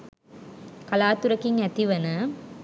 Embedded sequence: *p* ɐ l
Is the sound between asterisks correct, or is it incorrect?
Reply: incorrect